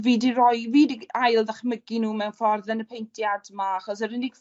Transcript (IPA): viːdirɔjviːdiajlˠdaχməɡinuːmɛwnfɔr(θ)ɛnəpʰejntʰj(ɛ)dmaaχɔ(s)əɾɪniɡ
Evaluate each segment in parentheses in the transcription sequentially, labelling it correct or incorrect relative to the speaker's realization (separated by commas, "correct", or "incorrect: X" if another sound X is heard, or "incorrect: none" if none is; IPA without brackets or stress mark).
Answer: incorrect: ð, incorrect: a, correct